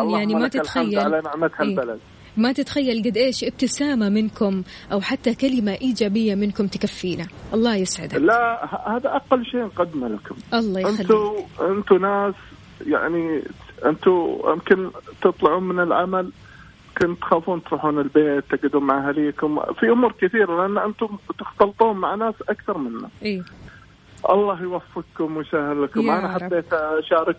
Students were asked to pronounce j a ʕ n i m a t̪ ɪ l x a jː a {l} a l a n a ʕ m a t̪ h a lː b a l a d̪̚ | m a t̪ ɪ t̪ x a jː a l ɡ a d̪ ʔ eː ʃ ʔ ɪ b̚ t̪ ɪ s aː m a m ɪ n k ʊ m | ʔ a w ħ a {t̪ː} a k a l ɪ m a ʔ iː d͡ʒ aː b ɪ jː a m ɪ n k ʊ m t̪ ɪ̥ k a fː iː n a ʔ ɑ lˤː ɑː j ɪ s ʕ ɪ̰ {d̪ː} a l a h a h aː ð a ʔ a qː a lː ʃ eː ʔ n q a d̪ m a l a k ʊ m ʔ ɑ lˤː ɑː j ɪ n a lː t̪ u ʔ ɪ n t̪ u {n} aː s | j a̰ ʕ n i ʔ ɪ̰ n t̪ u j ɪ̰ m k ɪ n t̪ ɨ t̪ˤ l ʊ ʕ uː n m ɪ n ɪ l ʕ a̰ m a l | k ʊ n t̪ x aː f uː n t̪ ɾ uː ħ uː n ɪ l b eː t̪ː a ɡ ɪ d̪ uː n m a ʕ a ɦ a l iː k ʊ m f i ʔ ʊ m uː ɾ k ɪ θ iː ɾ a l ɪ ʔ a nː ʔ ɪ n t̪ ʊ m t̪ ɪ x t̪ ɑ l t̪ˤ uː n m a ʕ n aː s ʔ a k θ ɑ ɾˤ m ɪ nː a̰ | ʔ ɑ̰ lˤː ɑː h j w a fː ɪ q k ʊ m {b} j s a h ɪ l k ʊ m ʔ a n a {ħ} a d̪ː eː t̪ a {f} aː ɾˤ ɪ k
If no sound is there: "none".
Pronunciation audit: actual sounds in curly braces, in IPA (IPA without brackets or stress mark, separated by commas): l, t̪ː, d̪, n, w, ħ, ʃ